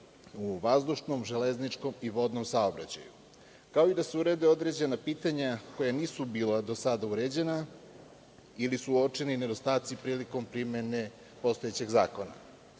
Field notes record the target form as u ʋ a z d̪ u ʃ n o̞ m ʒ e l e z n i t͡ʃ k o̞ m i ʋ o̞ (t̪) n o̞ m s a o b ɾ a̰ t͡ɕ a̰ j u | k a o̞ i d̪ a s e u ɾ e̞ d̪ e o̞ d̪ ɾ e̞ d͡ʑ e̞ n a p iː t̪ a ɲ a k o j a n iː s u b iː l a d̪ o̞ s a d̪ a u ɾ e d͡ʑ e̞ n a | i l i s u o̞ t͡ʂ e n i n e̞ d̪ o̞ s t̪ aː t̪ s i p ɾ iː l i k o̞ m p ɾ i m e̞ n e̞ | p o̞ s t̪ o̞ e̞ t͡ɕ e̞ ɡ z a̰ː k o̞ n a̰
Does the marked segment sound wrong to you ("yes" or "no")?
yes